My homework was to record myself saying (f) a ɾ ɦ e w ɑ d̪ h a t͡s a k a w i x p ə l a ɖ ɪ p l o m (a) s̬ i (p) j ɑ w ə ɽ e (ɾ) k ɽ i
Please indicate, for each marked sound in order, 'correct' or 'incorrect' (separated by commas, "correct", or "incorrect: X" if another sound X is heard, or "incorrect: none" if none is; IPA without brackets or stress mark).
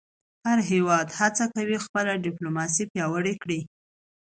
incorrect: h, incorrect: ɑ, correct, incorrect: none